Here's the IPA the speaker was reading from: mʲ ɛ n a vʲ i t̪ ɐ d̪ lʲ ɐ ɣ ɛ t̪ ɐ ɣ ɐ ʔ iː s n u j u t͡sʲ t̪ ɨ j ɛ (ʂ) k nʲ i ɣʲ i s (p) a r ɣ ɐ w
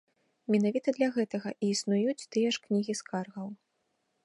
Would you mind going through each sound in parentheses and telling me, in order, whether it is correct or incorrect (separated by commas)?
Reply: correct, incorrect